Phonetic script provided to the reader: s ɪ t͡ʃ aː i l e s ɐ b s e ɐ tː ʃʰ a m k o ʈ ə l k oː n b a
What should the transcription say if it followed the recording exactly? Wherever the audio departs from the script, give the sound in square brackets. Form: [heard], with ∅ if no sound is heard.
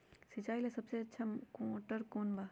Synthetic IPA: s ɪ t͡ʃ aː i l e s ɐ b s e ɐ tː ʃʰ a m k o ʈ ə [ɾ] k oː n b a